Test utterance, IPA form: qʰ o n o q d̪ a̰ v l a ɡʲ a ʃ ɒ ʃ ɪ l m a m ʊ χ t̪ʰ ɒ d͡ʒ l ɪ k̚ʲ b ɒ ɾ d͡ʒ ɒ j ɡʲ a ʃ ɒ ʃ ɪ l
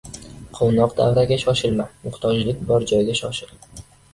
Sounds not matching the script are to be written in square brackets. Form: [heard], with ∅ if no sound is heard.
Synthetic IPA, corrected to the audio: qʰ o n [ɒ] q d̪ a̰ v [ɾ] a ɡʲ a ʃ ɒ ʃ ɪ l m a m ʊ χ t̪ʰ ɒ d͡ʒ l ɪ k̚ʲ b ɒ ɾ d͡ʒ ɒ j ɡʲ a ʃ ɒ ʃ ɪ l